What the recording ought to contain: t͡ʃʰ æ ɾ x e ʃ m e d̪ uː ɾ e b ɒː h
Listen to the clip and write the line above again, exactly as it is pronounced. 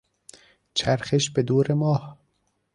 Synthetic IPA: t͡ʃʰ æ ɾ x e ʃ b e d̪ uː ɾ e m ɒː h